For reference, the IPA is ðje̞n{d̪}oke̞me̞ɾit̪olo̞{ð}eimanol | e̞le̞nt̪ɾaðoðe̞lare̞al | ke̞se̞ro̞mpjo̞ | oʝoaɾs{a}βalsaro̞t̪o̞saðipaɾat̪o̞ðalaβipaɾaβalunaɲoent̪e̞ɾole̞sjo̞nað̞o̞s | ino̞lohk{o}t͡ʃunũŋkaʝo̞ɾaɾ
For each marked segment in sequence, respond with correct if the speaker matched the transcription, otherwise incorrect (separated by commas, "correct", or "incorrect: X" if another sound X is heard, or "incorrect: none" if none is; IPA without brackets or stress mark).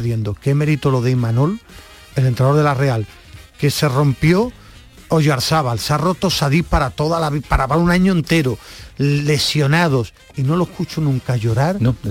correct, correct, correct, incorrect: u